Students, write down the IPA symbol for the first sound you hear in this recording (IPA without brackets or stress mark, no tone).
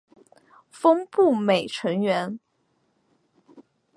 f